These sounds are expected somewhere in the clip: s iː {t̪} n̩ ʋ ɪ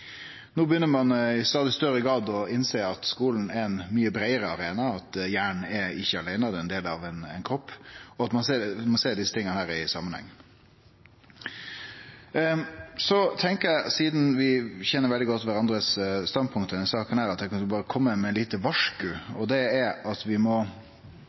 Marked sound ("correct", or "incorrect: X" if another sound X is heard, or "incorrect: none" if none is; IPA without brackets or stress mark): incorrect: d̪